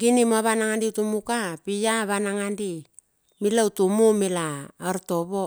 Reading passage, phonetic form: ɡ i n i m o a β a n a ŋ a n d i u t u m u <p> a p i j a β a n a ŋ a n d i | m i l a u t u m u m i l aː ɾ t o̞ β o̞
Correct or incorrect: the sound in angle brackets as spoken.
incorrect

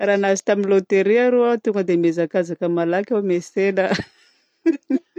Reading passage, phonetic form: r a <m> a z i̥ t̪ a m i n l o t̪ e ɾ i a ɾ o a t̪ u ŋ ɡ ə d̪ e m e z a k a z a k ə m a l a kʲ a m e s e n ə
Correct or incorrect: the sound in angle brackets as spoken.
incorrect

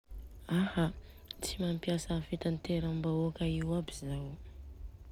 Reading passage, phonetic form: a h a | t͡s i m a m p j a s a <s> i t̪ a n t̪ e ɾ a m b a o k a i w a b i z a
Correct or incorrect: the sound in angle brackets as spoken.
incorrect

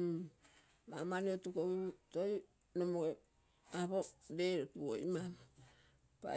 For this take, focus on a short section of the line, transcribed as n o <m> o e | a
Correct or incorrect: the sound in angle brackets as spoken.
correct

